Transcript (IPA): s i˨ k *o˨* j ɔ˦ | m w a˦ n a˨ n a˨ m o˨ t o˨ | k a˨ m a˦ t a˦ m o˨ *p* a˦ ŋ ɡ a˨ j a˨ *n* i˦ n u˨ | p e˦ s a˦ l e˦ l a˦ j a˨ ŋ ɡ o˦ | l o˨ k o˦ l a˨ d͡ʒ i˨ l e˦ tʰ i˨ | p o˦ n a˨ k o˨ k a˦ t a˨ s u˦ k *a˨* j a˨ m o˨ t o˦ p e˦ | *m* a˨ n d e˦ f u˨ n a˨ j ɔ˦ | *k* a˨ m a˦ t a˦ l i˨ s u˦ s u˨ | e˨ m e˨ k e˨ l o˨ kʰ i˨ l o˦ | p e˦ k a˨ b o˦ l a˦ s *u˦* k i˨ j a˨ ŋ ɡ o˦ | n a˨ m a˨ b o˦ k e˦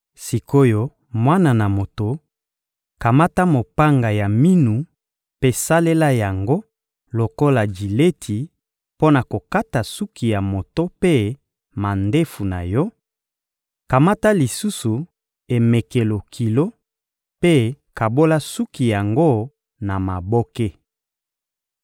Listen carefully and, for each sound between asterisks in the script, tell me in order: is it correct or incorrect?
incorrect: o˦, correct, incorrect: m, incorrect: i˨, correct, correct, correct

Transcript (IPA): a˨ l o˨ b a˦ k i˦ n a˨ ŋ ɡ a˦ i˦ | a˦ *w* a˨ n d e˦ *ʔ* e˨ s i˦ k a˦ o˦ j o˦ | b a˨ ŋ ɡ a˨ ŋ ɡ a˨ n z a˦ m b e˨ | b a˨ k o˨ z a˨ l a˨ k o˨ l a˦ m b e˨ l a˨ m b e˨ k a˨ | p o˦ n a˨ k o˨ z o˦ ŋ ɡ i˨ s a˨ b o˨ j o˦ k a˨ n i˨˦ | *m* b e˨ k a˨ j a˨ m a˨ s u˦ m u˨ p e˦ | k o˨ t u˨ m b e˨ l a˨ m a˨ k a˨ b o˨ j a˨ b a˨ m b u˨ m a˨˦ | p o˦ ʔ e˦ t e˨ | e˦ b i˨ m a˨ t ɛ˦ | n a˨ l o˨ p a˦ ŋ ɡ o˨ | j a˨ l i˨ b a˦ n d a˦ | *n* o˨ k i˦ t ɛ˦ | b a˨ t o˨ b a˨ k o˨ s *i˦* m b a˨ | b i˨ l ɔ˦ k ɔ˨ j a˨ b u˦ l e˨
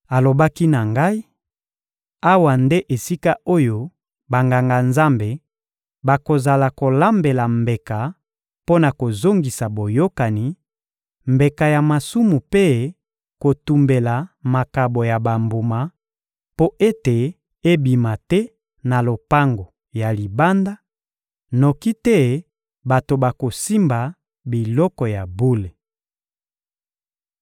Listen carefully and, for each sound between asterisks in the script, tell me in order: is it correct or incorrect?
correct, correct, correct, correct, correct

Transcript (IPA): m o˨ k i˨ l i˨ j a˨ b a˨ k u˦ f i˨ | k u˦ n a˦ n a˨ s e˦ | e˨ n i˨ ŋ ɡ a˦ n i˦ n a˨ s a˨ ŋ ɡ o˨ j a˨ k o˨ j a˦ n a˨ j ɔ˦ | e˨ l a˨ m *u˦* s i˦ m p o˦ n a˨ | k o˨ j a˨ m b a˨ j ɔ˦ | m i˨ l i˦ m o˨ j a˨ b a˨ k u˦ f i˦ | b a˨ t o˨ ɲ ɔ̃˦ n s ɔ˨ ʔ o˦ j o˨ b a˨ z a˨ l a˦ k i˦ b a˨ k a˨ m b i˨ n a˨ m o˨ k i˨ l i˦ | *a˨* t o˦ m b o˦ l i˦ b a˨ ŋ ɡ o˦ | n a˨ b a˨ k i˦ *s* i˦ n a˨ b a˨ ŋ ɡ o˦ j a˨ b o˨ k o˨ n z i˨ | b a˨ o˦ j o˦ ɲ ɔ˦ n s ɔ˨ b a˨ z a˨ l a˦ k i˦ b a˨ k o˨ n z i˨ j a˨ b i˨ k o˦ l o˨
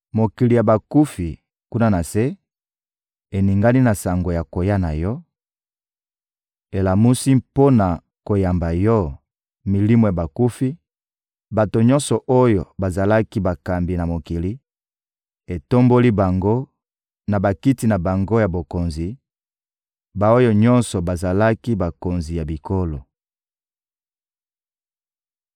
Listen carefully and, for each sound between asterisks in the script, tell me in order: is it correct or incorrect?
correct, incorrect: e˨, incorrect: t

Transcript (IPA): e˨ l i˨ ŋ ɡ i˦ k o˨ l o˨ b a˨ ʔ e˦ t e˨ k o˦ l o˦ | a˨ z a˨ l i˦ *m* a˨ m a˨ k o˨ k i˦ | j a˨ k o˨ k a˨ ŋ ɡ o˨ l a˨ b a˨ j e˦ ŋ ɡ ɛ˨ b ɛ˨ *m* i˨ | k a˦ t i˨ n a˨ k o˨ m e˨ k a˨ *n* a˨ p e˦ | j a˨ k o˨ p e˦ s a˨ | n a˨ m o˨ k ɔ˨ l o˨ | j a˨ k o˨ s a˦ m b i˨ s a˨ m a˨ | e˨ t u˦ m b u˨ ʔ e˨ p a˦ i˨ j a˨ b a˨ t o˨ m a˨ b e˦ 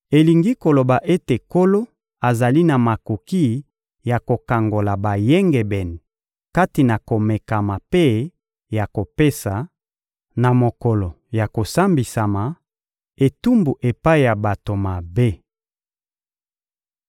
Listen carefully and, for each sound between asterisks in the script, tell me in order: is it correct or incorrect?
incorrect: n, incorrect: n, incorrect: m

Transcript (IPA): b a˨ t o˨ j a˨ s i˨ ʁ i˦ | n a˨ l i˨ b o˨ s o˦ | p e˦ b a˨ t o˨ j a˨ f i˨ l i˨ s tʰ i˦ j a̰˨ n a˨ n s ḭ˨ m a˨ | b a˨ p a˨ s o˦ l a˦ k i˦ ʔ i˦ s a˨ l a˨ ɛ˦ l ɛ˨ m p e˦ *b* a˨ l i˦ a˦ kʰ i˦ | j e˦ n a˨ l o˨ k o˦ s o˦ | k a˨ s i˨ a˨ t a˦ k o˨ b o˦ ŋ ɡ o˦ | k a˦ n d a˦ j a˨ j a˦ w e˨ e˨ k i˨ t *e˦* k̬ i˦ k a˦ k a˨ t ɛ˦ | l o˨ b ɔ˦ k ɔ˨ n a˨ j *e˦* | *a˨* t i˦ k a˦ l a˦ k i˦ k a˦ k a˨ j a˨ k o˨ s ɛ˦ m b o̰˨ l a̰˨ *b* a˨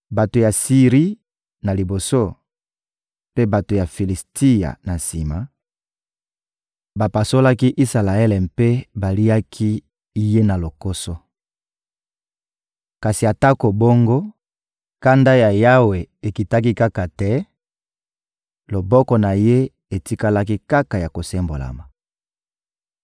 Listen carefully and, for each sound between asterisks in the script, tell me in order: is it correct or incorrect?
correct, incorrect: a˦, correct, incorrect: e˨, incorrect: m

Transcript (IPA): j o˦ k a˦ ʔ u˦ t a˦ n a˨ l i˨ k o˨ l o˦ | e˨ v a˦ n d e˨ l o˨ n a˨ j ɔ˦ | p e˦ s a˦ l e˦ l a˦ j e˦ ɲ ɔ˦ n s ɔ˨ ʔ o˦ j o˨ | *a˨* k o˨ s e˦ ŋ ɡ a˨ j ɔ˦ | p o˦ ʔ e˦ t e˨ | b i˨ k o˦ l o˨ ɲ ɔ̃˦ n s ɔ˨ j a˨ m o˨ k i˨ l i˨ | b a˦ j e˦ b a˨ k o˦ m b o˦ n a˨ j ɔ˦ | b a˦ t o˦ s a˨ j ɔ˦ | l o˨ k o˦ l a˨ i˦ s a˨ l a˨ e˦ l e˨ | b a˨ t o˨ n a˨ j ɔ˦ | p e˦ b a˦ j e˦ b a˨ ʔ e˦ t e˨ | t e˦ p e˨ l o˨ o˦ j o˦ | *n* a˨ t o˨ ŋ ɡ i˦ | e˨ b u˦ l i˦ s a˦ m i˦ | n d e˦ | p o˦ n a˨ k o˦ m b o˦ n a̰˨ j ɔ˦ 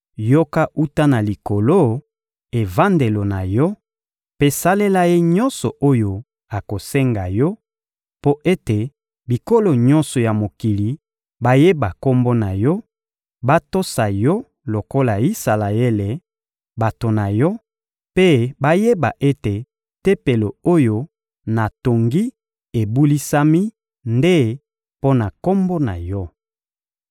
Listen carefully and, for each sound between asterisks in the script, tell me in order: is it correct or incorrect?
correct, correct

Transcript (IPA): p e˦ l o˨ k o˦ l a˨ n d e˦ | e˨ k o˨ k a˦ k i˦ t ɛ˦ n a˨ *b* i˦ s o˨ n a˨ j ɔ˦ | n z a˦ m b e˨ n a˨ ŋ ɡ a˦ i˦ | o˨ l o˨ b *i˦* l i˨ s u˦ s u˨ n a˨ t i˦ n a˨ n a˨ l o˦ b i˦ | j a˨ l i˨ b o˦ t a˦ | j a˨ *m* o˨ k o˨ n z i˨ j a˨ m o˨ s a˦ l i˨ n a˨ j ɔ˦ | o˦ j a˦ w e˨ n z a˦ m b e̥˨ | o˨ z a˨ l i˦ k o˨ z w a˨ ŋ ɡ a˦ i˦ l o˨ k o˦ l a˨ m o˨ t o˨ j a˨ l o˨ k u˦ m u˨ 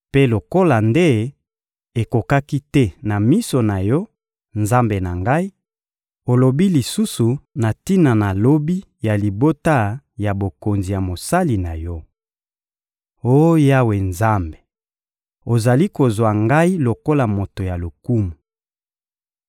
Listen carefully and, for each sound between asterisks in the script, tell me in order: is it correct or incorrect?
incorrect: m, correct, incorrect: b

